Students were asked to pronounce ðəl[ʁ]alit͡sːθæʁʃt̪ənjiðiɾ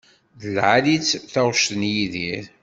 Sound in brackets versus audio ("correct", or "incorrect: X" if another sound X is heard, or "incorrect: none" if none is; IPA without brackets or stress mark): incorrect: ʕ